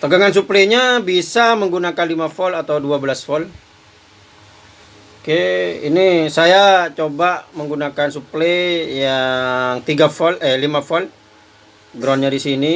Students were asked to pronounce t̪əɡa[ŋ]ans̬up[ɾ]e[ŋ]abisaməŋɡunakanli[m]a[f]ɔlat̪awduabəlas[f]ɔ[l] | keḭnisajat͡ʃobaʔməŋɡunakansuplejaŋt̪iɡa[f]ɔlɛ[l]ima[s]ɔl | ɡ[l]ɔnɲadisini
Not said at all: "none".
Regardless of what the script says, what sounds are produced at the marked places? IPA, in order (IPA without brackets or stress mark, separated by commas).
ŋ, l, ɲ, m, f, f, l, f, l, f, ɾ